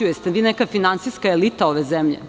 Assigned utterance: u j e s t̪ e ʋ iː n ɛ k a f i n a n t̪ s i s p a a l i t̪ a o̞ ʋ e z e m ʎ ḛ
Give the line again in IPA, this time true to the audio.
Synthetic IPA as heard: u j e s t̪ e ʋ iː n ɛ k a f i n a n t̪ s i s k a e l i t̪ a o̞ ʋ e z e m ʎ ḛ